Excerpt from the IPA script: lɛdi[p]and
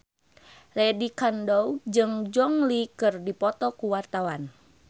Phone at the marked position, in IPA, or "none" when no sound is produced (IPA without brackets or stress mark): k